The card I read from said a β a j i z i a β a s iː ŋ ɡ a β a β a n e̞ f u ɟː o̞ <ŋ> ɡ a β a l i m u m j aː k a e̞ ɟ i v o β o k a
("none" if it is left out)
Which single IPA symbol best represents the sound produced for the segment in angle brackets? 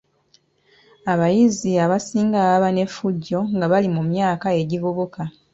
ŋ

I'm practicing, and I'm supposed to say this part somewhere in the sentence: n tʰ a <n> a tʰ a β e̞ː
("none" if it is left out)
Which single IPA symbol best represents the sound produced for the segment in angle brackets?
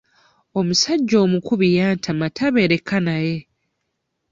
m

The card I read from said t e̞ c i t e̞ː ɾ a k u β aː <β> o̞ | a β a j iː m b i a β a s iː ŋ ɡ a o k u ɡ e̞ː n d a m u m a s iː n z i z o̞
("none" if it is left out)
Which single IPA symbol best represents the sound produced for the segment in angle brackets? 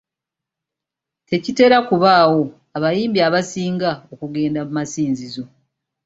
w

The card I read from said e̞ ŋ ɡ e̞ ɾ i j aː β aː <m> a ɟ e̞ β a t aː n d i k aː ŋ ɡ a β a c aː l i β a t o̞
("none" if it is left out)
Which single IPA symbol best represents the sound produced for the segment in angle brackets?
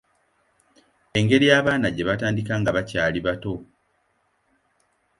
n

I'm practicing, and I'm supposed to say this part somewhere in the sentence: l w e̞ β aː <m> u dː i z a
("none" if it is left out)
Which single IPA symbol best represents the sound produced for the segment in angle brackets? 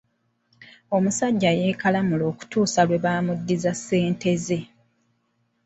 m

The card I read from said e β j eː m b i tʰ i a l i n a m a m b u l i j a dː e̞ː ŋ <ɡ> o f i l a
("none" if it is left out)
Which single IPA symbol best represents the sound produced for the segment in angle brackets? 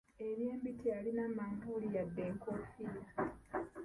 k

